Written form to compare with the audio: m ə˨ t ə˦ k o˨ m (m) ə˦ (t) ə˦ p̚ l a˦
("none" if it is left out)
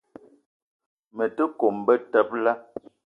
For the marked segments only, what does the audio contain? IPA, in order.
b, t

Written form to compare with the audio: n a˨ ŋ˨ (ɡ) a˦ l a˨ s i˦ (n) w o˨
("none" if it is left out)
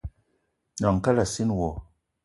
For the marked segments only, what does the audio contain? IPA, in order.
k, n

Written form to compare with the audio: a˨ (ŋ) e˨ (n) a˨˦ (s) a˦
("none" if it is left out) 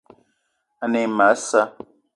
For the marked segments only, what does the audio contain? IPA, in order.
n, m, s

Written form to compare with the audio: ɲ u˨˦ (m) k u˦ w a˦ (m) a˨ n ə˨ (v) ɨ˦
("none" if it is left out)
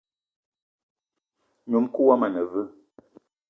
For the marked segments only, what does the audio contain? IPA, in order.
m, m, v

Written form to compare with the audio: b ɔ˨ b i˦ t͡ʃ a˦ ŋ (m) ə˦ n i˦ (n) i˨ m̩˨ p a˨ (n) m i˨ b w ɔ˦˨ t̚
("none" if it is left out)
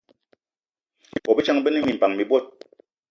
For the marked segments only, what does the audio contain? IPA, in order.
b, m, ŋ

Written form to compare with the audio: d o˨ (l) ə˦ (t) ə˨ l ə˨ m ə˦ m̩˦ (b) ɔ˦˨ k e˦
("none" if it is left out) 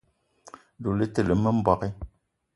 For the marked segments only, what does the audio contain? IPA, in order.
l, t, b

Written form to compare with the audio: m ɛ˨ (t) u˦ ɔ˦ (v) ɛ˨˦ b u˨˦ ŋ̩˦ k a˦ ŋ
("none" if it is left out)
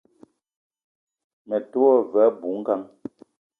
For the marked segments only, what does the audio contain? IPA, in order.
t, v

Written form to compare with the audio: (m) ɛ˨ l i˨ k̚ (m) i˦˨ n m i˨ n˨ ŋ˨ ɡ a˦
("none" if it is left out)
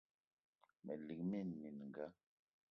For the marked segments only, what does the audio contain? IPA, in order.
m, m

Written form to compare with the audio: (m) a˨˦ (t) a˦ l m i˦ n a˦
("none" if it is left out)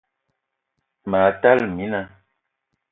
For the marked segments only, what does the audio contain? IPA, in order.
m, t

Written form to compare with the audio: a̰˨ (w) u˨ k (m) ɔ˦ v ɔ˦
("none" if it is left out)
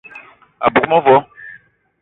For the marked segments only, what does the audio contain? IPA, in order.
b, m

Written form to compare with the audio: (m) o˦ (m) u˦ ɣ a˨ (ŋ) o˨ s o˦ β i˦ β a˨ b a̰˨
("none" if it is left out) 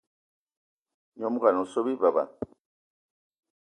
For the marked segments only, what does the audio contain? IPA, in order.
ɲ, m, n

